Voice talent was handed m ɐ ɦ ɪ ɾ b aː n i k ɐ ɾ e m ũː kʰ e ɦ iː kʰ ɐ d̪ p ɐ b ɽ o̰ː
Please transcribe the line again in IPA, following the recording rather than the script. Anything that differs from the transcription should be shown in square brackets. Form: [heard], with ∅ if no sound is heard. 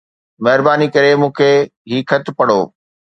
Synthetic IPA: m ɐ ɦ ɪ ɾ b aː n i k ɐ ɾ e m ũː kʰ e ɦ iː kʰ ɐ [t̪] p ɐ [∅] ɽ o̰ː